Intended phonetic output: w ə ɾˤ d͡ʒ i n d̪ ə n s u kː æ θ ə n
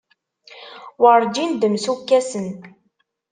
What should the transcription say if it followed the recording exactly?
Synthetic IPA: w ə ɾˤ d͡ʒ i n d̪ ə m s u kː æ s ə n